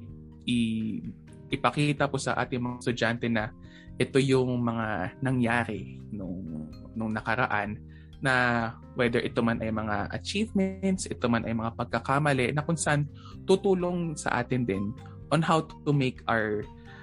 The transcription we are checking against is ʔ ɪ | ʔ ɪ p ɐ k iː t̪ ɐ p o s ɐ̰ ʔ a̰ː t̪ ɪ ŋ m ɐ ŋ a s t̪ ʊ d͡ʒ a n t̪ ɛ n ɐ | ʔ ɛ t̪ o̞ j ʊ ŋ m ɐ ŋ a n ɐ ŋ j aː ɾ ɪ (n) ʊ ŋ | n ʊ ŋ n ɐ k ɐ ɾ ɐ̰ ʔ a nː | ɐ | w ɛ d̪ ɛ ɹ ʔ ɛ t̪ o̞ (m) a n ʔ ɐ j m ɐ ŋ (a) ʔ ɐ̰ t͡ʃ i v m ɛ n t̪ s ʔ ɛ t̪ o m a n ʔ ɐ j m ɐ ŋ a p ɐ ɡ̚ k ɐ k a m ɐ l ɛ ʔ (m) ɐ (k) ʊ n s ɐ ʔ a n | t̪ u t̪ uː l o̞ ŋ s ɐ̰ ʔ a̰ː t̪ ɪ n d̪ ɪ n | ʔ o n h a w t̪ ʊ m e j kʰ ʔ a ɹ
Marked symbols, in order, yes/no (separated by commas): yes, yes, yes, no, yes